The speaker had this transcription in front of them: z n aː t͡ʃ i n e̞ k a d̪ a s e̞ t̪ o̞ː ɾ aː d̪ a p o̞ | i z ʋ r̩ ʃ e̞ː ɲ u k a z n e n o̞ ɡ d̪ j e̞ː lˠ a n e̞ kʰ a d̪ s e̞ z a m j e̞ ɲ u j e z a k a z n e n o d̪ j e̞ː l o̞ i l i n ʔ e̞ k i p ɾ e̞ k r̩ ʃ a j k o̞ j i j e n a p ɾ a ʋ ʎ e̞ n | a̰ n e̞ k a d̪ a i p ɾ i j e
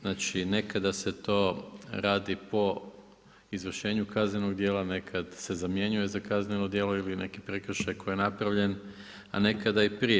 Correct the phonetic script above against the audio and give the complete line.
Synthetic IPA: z n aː t͡ʃ i n e̞ k a d̪ a s e̞ t̪ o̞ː ɾ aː d̪ i p o̞ | i z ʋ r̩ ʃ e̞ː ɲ u k a z n e n o̞ ɡ d̪ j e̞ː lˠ a n e̞ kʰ a d̪ s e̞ z a m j e̞ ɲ u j e z a k a z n e n o d̪ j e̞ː l o̞ i l i n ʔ e̞ k i p ɾ e̞ k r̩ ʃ a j k o̞ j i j e n a p ɾ a ʋ ʎ e̞ n | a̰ n e̞ k a d̪ a i p ɾ i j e